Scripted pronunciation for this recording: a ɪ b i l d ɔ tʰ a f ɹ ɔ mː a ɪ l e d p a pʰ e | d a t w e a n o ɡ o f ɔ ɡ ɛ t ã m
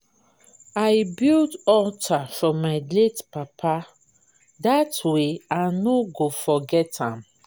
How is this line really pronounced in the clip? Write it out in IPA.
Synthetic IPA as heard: a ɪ b i l d ɔ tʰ a f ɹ ɔ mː a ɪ l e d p a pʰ a | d a t w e a n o ɡ o f ɔ ɡ ɛ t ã m